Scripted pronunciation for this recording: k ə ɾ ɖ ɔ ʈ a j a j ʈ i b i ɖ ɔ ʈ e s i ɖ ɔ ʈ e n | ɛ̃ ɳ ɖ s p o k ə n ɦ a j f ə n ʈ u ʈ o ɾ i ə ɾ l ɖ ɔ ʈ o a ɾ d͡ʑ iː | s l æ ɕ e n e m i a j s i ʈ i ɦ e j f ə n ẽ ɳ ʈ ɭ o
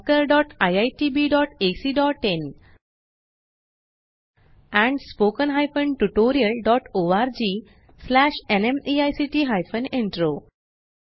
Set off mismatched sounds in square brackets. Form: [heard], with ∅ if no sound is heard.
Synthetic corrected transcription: k ə ɾ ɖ ɔ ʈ a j a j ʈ i b i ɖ ɔ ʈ e s i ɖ ɔ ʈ e n | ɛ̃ ɳ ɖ s p o k ə n ɦ a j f ə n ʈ u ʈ o ɾ i ə [∅] l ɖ ɔ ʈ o a ɾ d͡ʑ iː | s l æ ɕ e n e m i a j s i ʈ i ɦ [a] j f ə n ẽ ɳ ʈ [ɾ] o